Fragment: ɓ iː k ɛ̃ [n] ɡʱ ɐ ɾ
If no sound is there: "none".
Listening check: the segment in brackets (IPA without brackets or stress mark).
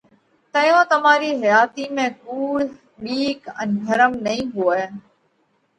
n